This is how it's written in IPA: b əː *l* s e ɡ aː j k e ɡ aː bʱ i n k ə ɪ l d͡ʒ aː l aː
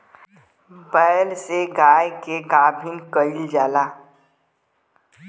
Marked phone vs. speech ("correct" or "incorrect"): correct